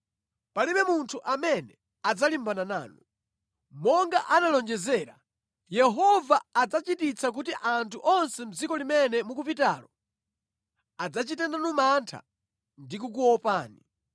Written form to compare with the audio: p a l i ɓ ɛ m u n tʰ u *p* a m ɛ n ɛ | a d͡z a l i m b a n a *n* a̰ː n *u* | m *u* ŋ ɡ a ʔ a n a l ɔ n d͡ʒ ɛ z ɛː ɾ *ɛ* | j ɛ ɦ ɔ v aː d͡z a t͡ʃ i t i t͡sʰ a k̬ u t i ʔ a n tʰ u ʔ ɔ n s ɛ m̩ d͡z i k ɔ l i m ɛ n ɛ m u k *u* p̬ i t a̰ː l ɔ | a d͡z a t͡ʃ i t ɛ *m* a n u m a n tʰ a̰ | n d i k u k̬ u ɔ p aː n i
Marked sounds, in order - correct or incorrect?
incorrect: ʔ, correct, correct, incorrect: ɔ, incorrect: a, correct, incorrect: n

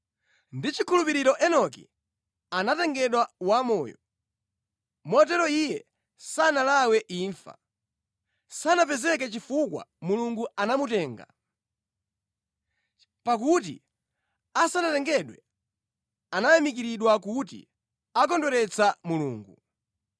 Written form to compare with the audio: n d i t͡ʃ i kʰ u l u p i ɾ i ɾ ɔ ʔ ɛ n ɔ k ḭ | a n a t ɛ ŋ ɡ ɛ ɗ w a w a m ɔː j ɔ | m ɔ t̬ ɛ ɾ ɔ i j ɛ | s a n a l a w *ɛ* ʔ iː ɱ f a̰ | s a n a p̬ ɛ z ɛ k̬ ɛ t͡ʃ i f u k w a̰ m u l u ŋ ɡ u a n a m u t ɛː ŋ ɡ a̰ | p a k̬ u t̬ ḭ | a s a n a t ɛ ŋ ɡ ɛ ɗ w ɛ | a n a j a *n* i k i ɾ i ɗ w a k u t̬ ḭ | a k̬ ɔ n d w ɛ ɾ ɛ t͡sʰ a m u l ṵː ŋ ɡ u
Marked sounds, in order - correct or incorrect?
correct, incorrect: m

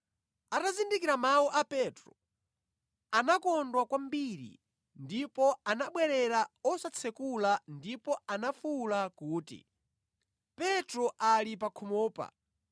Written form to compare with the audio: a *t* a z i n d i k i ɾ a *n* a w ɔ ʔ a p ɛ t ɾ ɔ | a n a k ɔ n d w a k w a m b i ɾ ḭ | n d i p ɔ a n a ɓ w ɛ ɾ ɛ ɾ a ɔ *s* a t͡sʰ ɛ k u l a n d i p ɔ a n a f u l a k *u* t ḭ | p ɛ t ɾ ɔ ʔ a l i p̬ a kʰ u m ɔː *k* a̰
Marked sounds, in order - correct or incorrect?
correct, incorrect: m, correct, incorrect: uː, incorrect: p

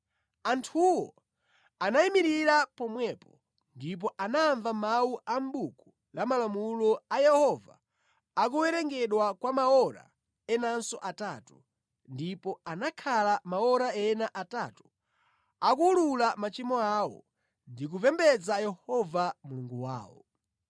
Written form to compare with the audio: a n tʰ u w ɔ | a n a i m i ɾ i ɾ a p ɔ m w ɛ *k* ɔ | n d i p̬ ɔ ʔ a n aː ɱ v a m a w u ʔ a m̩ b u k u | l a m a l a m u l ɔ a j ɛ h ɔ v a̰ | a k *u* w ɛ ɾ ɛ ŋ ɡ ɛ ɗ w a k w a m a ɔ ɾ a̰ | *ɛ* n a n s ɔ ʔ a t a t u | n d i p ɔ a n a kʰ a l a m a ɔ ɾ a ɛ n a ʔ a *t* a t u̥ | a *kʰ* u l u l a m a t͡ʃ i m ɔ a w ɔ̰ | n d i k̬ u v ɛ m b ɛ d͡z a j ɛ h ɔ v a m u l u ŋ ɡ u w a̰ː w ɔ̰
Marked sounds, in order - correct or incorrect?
incorrect: p, correct, correct, correct, incorrect: k

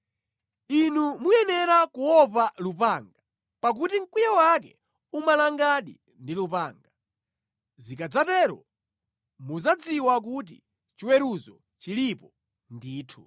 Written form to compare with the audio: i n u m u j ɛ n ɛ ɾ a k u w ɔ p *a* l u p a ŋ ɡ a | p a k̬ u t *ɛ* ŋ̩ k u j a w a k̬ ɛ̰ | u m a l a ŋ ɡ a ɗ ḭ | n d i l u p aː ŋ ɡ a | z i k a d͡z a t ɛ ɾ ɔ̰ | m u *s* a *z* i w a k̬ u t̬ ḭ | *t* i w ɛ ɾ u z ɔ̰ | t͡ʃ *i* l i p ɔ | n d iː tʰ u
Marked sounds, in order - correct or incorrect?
correct, incorrect: i, incorrect: z, incorrect: d͡z, incorrect: t͡ʃ, correct

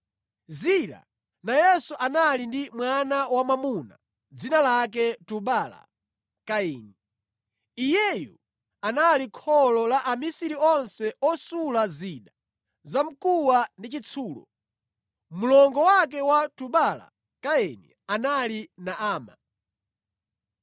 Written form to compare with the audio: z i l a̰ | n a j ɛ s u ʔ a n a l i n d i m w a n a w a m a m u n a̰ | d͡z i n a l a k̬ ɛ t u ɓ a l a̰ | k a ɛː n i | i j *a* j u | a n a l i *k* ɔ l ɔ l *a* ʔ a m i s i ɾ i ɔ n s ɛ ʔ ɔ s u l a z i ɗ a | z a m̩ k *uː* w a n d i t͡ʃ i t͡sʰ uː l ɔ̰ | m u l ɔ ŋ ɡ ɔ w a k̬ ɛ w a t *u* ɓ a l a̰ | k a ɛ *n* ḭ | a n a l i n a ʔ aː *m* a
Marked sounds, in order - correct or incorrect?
incorrect: ɛ, incorrect: kʰ, correct, incorrect: u, correct, correct, correct

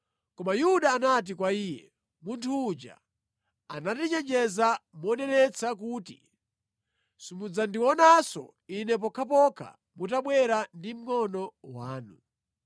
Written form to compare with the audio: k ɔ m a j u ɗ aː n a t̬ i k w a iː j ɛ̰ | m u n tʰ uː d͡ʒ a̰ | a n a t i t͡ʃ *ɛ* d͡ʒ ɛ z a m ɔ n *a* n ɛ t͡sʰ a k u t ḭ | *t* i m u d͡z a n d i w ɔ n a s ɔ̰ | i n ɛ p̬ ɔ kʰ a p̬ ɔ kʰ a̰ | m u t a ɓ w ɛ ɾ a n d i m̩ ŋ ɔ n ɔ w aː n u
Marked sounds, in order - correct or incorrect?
correct, incorrect: ɛ, incorrect: s

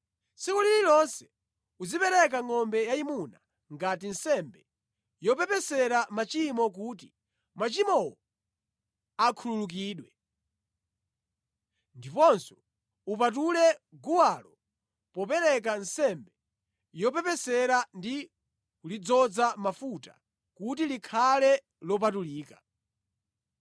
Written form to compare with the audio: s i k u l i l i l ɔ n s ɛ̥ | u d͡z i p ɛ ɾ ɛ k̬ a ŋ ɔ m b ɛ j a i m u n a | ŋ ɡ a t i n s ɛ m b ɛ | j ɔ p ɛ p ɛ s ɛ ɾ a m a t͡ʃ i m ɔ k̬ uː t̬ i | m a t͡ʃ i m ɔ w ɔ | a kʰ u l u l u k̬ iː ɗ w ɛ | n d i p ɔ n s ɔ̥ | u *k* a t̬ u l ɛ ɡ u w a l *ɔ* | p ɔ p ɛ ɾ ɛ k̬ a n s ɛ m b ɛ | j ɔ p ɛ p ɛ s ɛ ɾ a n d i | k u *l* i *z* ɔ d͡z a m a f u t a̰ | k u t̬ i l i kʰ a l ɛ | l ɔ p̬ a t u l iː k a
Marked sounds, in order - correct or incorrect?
incorrect: p, correct, correct, incorrect: d͡z

